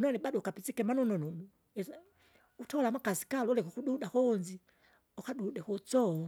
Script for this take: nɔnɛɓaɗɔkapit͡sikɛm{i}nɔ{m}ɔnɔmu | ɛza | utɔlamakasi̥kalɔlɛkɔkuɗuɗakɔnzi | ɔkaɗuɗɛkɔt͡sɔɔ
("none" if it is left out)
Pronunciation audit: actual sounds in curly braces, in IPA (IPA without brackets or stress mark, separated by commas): a, n